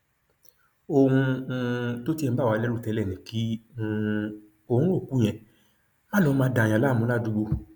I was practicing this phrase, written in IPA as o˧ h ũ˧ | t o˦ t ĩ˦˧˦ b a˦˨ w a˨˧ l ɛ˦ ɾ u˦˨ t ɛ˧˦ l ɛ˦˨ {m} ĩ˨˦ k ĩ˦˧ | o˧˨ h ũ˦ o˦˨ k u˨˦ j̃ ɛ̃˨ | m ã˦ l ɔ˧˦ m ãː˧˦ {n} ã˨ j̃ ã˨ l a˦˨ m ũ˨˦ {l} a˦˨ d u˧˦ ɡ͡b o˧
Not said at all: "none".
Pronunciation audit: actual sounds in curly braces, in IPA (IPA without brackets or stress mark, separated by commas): n, d, l